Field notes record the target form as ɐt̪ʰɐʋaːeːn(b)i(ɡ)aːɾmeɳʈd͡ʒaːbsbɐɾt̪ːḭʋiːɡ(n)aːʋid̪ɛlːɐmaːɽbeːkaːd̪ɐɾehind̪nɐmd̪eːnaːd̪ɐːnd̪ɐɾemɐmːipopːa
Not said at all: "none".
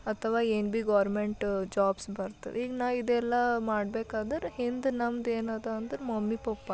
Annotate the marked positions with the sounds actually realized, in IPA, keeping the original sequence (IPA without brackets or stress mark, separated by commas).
b, ɡ, n